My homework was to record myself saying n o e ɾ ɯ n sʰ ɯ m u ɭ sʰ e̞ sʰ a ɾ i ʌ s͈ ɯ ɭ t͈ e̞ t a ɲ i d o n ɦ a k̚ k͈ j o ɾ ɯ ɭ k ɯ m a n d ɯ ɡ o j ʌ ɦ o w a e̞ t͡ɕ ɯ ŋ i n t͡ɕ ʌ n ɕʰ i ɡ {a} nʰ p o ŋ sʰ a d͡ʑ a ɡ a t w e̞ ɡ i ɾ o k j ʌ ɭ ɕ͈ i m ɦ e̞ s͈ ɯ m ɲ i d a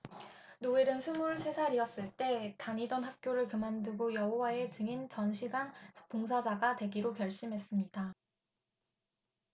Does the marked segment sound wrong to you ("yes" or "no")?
no